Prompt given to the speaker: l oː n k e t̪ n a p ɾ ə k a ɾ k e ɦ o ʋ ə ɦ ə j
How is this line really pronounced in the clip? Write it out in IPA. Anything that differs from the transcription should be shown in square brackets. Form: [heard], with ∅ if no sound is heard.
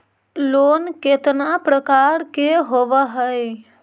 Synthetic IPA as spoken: l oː n k e t̪ n a p ɾ ə k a ɾ k e ɦ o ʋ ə ɦ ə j